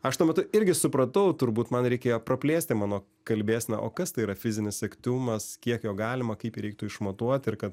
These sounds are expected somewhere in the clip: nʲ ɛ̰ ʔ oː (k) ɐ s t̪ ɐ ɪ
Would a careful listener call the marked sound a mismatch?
no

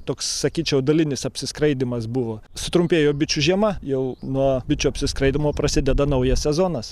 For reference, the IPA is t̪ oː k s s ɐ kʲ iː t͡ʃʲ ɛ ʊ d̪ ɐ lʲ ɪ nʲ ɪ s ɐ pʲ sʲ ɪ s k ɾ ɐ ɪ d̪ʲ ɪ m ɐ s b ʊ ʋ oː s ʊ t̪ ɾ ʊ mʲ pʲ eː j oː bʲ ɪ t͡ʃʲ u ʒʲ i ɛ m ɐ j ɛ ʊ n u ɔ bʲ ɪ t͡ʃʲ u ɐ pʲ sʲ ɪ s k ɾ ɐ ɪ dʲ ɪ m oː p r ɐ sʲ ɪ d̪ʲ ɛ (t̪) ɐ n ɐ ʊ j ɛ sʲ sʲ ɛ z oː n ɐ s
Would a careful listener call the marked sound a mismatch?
yes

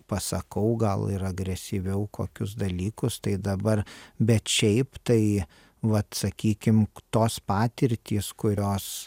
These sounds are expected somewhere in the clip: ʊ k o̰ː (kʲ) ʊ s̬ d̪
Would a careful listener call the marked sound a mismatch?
no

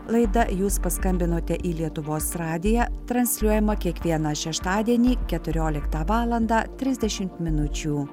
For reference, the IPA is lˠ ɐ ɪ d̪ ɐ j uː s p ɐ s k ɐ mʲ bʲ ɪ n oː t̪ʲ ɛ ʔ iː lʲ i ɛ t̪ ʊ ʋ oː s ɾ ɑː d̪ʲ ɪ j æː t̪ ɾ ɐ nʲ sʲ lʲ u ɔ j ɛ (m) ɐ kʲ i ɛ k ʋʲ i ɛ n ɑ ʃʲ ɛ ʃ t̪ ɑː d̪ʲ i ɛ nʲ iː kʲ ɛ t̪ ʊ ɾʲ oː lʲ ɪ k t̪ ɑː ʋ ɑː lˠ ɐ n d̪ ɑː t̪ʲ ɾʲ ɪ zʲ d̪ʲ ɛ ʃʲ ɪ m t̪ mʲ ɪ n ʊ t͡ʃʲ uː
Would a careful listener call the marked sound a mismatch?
no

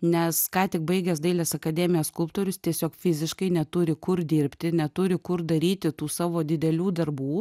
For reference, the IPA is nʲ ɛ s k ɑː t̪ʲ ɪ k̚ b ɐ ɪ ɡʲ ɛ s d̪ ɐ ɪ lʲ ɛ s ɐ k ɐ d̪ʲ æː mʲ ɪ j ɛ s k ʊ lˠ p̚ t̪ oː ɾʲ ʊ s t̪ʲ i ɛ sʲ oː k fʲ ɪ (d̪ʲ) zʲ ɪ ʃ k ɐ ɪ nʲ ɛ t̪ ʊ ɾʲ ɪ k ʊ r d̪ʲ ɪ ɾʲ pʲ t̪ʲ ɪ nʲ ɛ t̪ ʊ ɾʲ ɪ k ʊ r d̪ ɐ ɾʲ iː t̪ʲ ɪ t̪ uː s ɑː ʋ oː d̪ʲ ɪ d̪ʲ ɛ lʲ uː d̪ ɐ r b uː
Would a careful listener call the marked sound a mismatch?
yes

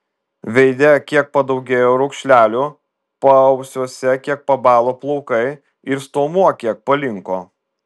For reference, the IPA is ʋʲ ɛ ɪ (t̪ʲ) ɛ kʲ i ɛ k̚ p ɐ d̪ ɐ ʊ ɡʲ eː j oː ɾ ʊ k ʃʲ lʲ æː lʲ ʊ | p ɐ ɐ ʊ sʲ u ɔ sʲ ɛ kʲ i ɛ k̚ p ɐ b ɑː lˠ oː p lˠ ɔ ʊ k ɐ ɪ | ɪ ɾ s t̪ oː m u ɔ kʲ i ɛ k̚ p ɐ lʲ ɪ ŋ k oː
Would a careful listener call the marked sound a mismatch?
yes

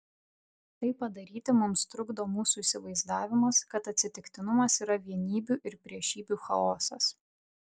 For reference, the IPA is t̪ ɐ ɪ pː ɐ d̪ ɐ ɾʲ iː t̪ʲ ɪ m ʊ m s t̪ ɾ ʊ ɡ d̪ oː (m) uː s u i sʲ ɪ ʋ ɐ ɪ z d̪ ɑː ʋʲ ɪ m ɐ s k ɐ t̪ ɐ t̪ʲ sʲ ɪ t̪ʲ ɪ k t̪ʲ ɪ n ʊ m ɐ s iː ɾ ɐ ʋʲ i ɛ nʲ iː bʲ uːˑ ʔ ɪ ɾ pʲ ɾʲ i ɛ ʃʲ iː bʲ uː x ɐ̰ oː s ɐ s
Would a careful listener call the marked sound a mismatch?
no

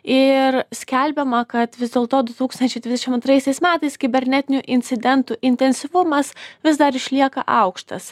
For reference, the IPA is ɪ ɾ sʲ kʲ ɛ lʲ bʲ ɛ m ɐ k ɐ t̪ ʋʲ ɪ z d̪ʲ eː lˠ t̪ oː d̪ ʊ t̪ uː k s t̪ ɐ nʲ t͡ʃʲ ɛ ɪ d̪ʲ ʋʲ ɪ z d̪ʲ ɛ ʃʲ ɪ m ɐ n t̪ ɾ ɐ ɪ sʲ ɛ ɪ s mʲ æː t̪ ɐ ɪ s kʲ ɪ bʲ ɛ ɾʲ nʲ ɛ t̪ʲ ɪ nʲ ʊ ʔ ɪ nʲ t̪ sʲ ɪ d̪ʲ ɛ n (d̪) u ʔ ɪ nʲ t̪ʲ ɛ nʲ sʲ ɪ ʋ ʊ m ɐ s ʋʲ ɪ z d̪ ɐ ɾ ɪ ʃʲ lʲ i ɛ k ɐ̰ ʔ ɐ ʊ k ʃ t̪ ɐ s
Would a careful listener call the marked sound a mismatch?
yes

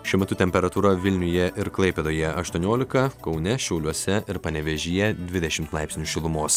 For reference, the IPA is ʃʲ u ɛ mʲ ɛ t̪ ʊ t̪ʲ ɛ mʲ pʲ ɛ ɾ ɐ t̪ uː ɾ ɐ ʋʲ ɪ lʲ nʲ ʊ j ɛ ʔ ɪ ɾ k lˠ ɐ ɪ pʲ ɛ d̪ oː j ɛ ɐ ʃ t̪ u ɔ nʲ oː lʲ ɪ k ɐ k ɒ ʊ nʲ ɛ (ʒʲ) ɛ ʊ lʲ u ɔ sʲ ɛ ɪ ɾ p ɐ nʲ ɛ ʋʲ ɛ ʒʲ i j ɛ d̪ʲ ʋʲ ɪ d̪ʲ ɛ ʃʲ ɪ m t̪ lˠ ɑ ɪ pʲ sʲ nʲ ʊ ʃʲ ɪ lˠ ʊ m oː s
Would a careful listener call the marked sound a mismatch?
yes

